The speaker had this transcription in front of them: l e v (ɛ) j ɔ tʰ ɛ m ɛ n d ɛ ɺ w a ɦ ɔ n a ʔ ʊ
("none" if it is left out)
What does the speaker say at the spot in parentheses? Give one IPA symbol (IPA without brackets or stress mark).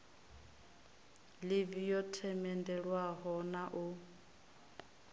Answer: i